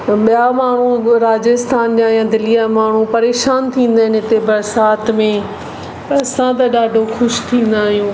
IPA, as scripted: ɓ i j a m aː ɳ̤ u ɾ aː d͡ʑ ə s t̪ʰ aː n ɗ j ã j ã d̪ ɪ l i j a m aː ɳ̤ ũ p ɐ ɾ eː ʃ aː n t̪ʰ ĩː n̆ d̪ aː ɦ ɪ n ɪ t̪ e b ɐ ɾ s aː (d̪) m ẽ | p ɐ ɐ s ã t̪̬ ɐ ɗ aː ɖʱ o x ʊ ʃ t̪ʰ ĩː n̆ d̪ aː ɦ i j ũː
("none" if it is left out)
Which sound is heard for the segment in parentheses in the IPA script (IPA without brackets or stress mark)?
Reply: t̪